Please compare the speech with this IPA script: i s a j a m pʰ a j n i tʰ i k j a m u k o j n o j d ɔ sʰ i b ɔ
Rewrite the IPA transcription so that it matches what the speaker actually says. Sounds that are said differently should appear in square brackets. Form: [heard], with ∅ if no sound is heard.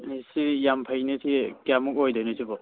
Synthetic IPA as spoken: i s [i] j a m pʰ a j n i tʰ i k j a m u k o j [d] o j [n] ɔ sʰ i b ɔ